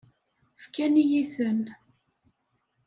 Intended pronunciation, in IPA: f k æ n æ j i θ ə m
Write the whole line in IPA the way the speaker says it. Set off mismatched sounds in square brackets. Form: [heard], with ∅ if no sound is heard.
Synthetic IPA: f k æ n [i] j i θ ə [n]